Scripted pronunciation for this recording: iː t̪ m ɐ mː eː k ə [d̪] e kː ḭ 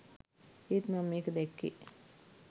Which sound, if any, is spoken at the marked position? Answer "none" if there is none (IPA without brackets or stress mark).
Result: d̪